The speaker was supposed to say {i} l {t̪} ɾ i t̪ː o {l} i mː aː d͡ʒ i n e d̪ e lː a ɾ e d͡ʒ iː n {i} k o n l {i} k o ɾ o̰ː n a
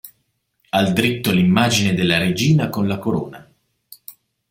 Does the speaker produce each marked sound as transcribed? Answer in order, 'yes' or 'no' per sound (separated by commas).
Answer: no, no, yes, no, no